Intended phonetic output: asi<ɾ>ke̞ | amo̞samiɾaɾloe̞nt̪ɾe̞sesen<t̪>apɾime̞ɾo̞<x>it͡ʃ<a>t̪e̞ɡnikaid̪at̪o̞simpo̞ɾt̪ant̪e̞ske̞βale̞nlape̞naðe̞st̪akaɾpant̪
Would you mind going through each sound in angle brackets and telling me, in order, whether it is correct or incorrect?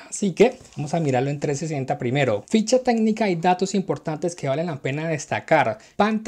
incorrect, correct, incorrect, correct

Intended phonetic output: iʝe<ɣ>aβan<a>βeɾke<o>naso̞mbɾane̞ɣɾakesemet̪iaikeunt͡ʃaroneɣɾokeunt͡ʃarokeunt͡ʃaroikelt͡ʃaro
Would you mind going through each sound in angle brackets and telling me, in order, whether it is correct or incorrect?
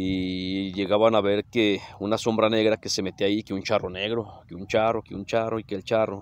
correct, correct, incorrect

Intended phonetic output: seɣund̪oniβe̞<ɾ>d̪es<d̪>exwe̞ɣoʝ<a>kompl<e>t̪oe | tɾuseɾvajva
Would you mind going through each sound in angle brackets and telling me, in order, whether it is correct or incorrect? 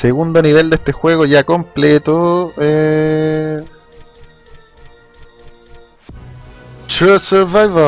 incorrect, incorrect, correct, correct

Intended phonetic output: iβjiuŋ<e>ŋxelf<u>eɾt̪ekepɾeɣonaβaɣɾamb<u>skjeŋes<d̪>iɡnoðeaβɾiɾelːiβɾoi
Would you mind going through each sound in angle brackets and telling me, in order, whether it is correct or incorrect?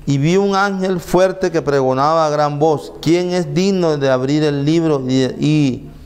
incorrect, incorrect, incorrect, correct

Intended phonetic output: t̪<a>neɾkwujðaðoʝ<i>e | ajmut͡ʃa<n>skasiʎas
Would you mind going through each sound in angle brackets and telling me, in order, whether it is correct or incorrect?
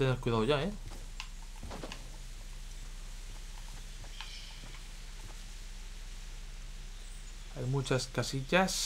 incorrect, incorrect, incorrect

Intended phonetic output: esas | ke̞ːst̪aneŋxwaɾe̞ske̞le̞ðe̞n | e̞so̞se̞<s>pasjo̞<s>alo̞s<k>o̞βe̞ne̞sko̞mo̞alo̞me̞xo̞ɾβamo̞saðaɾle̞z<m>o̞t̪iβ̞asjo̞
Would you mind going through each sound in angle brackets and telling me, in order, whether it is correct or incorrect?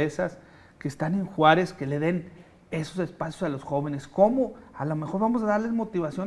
correct, correct, incorrect, correct

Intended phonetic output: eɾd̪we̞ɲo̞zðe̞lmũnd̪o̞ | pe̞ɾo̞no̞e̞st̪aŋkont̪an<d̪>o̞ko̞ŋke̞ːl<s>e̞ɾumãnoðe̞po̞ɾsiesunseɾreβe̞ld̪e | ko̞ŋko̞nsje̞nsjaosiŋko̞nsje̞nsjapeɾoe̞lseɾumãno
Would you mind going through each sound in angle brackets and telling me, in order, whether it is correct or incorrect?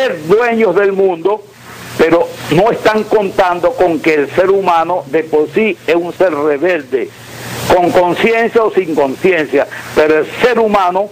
correct, correct

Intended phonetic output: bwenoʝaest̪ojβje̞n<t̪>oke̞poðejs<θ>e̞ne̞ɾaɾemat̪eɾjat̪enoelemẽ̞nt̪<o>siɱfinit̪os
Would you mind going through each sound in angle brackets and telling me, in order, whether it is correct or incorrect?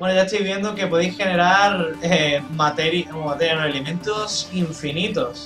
incorrect, incorrect, correct

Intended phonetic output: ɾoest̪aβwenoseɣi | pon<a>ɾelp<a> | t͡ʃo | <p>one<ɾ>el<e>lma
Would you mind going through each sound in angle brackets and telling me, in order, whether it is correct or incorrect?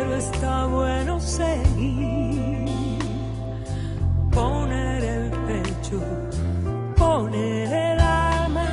incorrect, incorrect, correct, correct, incorrect

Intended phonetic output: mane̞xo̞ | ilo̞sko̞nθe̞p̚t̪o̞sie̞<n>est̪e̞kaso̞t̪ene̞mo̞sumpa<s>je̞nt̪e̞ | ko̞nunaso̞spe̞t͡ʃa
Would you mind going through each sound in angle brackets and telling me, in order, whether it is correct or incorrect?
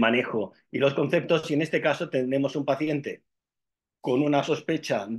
correct, incorrect

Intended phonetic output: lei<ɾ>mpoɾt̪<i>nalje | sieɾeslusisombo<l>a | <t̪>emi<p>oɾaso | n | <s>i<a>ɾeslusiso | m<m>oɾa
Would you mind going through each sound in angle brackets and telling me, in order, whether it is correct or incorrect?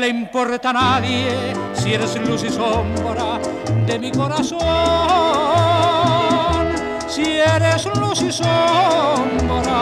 incorrect, incorrect, incorrect, incorrect, incorrect, correct, incorrect, incorrect

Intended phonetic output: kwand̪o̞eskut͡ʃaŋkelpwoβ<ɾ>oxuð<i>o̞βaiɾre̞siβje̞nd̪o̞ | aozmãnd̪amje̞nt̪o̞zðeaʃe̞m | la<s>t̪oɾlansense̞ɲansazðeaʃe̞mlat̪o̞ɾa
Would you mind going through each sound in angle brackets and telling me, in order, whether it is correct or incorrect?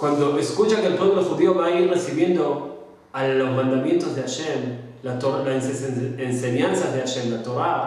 incorrect, correct, incorrect

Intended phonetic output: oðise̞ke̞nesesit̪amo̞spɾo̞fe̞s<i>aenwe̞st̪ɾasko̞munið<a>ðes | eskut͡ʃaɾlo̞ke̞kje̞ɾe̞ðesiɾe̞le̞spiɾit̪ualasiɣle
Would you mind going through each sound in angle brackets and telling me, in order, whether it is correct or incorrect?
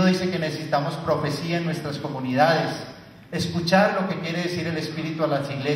correct, correct

